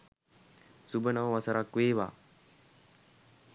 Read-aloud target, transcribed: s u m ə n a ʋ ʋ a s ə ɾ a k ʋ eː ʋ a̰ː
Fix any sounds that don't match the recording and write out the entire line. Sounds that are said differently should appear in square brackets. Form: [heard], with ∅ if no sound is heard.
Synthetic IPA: s u [b] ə n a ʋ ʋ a s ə ɾ a k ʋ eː ʋ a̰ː